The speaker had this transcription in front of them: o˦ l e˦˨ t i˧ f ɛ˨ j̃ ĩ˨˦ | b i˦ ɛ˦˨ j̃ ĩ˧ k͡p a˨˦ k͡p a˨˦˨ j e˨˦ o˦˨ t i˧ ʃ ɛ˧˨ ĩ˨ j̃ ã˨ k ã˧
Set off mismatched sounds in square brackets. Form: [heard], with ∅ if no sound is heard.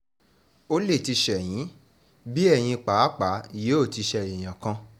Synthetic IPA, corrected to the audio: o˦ l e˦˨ t i˧ [ʃ] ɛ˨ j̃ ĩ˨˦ | b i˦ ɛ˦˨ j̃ ĩ˧ k͡p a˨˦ k͡p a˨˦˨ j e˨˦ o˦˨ t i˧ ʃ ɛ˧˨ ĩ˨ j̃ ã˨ k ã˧